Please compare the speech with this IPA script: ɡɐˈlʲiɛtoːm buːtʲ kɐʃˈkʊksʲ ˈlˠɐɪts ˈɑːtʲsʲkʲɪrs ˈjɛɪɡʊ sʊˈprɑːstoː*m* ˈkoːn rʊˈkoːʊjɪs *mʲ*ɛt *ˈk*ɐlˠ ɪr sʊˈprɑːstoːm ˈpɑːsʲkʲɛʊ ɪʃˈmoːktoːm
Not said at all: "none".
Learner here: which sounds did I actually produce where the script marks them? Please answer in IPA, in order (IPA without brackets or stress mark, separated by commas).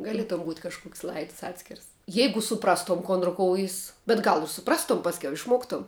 m, bʲ, ɡ